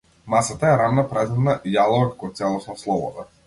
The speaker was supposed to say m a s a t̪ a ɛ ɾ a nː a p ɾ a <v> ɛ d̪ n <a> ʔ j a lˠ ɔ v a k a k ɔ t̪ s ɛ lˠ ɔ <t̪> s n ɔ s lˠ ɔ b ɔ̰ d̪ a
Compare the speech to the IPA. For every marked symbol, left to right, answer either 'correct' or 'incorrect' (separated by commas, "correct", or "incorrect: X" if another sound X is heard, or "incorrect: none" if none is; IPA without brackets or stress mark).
incorrect: z, correct, incorrect: none